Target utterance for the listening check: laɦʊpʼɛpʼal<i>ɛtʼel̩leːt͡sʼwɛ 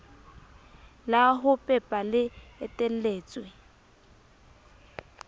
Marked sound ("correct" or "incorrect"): incorrect